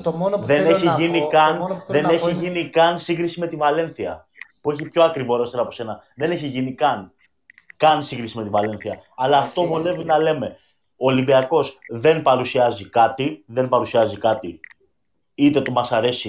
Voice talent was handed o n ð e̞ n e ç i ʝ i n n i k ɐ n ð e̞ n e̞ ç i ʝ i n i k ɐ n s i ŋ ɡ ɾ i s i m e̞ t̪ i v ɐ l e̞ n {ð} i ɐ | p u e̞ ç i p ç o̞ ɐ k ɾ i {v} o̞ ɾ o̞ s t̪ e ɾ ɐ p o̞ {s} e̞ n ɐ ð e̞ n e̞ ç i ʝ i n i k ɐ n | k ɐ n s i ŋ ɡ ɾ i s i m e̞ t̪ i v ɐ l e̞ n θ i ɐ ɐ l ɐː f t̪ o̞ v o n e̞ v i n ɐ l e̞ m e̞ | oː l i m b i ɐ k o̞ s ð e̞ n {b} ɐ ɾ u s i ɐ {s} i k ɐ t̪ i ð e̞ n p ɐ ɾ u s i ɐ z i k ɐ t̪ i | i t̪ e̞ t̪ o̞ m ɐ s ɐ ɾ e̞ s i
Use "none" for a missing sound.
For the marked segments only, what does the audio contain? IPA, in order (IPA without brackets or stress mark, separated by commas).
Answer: θ, v, s, p, z